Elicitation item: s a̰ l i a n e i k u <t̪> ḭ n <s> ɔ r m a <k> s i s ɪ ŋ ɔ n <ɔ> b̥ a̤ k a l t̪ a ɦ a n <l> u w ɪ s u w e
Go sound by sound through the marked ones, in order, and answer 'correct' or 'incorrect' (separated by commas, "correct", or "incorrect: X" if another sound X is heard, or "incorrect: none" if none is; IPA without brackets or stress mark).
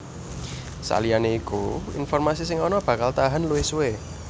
incorrect: none, incorrect: f, incorrect: none, correct, correct